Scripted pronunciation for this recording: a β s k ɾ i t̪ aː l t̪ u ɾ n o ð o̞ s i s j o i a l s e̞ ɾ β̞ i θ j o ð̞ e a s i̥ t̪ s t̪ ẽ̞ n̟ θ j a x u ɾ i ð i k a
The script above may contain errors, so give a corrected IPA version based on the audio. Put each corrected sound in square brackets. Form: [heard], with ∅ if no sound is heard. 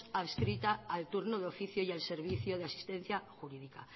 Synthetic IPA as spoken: a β s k ɾ i t̪ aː l t̪ u ɾ n o ð o̞ [f] i [θ] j o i a l s e̞ ɾ β̞ i θ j o ð̞ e a s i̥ [∅] s t̪ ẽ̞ n̟ θ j a x u ɾ i ð i k a